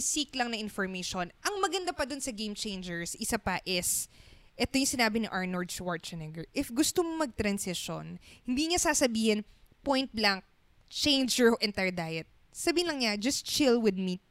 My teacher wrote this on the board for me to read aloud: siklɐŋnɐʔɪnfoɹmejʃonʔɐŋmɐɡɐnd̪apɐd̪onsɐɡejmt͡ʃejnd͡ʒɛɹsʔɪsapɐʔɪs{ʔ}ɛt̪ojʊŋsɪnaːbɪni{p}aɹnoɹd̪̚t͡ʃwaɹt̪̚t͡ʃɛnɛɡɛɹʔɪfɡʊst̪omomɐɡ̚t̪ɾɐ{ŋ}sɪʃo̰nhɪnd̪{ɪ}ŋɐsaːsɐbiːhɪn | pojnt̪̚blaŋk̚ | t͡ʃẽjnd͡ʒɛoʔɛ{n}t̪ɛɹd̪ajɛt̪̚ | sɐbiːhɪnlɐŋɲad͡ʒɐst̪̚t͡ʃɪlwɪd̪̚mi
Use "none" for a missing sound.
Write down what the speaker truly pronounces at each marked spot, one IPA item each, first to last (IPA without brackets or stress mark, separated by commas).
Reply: ʔ, ʔ, n, i, n